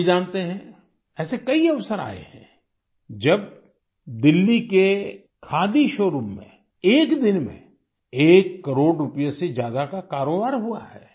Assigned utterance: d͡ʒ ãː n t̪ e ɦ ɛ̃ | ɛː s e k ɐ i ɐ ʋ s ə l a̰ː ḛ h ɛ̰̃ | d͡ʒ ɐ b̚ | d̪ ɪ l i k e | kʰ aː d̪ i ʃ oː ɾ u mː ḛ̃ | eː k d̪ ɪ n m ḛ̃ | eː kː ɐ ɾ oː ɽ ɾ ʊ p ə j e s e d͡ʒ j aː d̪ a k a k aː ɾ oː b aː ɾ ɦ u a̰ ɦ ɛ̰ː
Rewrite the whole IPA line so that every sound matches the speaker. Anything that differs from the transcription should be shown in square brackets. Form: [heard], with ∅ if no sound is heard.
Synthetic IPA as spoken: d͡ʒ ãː n t̪ e ɦ ɛ̃ | ɛː s e k ɐ i ɐ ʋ s ə [ɾ] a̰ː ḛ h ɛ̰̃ | d͡ʒ ɐ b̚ | d̪ ɪ [lː] i k e | kʰ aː d̪ i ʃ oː ɾ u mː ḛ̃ | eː k d̪ ɪ n m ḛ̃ | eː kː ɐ ɾ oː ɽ ɾ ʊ p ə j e s e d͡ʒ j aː d̪ a k a k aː ɾ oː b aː ɾ ɦ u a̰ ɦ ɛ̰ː